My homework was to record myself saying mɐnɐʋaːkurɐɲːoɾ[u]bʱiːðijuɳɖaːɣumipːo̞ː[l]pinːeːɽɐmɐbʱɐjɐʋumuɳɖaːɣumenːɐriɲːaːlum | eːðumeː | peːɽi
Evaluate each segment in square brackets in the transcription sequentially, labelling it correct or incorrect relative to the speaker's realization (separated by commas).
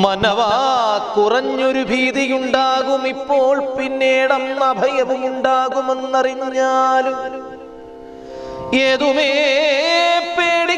correct, incorrect